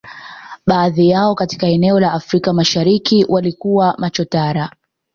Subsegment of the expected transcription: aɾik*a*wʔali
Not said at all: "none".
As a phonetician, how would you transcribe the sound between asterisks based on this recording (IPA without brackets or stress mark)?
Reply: i